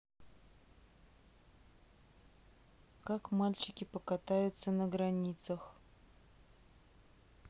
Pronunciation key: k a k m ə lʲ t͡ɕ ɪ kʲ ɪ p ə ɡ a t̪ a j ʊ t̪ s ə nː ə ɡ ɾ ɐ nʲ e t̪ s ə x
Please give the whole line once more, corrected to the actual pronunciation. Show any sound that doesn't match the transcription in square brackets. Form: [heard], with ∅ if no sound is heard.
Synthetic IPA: k a k m [a] lʲ t͡ɕ ɪ kʲ ɪ p ə [k] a t̪ a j ʊ t̪ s ə [n] ə ɡ ɾ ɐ nʲ [i] t̪ s ə x